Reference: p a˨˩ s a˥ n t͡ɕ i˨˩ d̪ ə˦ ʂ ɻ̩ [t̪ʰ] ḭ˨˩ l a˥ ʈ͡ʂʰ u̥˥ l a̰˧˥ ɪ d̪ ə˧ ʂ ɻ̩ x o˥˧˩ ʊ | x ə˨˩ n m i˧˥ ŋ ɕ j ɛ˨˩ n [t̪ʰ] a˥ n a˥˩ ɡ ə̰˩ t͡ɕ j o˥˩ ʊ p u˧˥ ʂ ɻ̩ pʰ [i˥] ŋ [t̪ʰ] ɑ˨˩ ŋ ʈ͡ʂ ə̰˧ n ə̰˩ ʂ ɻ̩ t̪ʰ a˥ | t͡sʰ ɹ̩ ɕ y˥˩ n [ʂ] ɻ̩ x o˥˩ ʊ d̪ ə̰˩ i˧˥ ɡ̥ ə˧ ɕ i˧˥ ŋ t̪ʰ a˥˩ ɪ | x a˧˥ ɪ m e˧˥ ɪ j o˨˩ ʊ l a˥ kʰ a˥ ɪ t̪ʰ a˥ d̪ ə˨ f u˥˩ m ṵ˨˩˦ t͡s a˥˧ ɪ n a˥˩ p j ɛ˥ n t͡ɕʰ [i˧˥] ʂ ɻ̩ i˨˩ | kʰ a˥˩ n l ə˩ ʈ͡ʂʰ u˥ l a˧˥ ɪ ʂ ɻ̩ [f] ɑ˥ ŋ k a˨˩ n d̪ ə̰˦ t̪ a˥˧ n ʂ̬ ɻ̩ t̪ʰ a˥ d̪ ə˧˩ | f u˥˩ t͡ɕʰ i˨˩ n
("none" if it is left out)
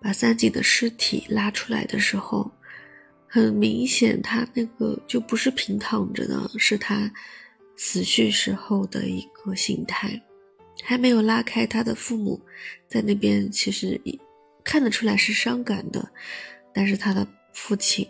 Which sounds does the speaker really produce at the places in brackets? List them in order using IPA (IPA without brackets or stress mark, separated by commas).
t̪ʰ, t̪ʰ, i˧˥, t̪ʰ, ʂ, i˧˥, ʂ